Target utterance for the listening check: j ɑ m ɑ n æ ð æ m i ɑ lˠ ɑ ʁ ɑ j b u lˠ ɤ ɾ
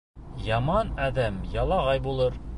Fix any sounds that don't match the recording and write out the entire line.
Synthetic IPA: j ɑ m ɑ n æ ð æ m j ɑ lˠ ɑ ʁ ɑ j b u lˠ ɤ ɾ